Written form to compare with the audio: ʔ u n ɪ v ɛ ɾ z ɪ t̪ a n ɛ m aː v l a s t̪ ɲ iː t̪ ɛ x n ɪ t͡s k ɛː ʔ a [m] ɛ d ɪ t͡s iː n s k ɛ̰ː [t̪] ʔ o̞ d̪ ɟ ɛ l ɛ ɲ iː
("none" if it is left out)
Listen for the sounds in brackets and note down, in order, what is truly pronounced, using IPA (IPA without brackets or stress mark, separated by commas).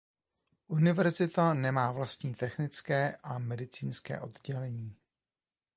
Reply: m, none